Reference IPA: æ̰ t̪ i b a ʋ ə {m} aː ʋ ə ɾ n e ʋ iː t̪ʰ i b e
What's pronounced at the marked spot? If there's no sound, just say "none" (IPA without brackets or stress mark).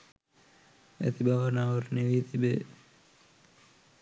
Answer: n